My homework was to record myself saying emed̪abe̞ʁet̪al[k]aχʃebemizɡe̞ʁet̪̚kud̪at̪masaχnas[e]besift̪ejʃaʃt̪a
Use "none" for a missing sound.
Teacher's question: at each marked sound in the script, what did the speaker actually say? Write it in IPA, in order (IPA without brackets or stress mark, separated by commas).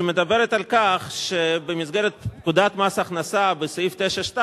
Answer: k, a